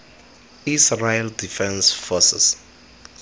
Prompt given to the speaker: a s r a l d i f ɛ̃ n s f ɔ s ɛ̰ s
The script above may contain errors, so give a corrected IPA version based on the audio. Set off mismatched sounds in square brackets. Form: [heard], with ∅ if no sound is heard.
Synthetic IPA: [i] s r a l d i f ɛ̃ n s f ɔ s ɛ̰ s

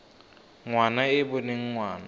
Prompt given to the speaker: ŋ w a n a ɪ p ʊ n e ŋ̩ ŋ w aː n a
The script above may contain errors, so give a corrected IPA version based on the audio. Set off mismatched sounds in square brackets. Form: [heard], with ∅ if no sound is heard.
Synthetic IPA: ŋ w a n a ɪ [b] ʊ n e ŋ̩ ŋ w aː n a

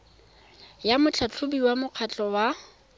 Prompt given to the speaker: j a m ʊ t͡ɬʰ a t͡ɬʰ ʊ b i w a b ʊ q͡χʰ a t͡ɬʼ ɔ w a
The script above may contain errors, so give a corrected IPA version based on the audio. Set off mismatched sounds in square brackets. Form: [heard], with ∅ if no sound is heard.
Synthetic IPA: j a m ʊ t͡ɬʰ a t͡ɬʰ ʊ b i w a [m] ʊ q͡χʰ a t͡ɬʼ ɔ w a

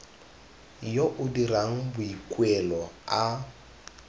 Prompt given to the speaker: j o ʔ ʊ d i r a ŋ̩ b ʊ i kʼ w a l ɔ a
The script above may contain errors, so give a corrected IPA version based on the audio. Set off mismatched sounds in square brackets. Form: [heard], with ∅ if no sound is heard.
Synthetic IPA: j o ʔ ʊ d i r a ŋ̩ b ʊ i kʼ w [ɛ] l ɔ a

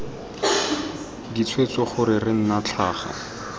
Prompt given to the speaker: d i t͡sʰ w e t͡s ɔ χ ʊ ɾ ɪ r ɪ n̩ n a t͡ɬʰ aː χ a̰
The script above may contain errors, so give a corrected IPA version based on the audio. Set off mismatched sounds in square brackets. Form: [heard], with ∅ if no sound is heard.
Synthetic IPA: d i t͡sʰ w e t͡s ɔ χ ʊ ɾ ɪ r ɪ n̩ n a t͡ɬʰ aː χ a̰

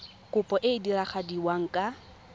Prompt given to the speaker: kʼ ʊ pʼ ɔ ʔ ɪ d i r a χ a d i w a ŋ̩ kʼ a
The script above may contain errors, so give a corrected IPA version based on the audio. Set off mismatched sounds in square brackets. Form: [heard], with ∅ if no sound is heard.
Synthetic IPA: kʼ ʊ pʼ ɔ ʔ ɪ d i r a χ a d i w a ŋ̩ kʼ a

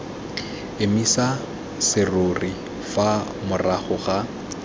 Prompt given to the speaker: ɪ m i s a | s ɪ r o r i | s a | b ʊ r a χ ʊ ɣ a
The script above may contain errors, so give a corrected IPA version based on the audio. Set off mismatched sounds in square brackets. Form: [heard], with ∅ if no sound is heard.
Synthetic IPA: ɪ m i s a | s ɪ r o r i | [f] a | [m] ʊ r a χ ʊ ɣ a

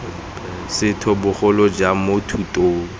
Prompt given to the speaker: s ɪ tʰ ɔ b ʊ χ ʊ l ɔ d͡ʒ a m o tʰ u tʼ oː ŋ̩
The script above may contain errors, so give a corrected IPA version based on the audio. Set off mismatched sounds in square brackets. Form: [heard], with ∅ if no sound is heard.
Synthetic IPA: s ɪ tʰ ɔ b ʊ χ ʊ l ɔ d͡ʒ a m o tʰ u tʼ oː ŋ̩

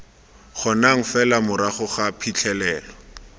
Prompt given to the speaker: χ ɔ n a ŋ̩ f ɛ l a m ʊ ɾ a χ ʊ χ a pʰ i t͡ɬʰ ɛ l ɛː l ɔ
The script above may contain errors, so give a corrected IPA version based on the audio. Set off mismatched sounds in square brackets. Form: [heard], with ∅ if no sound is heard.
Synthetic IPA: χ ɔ n a ŋ̩ f ɛ l a m ʊ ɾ a χ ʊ χ a pʰ i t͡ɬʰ ɛ l ɛː l ɔ

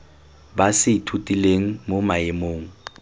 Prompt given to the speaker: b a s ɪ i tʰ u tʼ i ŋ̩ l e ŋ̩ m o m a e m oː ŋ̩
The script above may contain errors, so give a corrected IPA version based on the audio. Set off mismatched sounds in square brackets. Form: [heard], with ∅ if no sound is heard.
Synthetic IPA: b a s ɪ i tʰ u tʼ i [∅] l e ŋ̩ m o m a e m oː ŋ̩

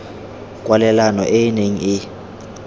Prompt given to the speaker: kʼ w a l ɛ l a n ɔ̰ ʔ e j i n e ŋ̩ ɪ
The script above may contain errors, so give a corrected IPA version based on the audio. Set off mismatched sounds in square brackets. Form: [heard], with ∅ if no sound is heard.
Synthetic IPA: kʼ w a l ɛ l a n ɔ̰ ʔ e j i n e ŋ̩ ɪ

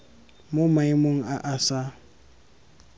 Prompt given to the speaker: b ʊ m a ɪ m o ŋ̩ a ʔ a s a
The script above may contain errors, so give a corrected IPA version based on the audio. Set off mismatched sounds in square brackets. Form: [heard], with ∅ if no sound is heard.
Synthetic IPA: [m] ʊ m a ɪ m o ŋ̩ a ʔ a s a

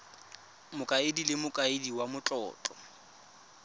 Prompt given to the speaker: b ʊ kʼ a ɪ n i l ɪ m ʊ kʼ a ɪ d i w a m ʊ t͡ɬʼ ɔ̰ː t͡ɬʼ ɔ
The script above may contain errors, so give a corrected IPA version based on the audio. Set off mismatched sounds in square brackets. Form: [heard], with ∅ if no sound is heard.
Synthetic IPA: [m] ʊ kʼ a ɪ [d] i l ɪ m ʊ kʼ a ɪ d i w a m ʊ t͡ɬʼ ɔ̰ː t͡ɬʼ ɔ

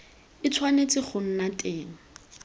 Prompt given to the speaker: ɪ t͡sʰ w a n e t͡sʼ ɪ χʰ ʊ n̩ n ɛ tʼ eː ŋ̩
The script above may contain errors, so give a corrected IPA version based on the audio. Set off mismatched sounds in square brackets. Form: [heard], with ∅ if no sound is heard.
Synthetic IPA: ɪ t͡sʰ w a n e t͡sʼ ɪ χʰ ʊ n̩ n [a] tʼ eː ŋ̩

